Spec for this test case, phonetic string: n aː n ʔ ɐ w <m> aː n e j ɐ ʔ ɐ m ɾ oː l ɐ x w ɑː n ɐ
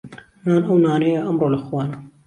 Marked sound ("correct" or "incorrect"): incorrect